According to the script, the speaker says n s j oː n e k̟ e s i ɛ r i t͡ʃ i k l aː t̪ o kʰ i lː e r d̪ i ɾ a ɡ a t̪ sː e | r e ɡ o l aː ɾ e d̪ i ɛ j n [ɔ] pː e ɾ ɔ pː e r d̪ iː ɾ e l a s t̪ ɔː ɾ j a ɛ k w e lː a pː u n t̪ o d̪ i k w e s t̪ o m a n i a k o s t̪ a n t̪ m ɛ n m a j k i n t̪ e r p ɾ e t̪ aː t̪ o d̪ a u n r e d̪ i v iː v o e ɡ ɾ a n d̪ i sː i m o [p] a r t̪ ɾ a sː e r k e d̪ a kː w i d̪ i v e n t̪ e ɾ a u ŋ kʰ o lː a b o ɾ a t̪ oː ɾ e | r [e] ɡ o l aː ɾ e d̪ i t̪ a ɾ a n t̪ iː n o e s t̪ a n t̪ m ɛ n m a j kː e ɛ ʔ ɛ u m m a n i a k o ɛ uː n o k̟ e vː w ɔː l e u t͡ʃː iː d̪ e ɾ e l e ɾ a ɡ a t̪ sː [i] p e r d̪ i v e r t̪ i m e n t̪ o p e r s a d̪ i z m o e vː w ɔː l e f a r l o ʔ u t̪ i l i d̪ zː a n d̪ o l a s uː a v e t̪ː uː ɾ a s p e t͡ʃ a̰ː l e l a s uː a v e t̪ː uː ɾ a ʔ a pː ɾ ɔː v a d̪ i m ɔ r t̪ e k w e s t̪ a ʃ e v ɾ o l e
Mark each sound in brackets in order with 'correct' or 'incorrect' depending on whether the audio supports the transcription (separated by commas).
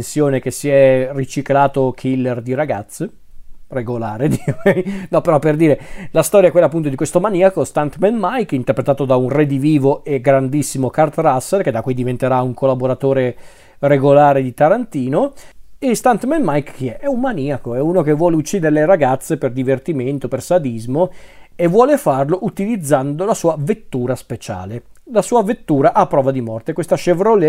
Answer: correct, incorrect, correct, incorrect